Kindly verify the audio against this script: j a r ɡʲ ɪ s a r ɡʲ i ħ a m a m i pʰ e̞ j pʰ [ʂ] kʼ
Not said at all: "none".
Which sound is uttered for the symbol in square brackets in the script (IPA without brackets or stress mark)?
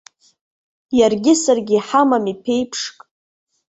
ʂ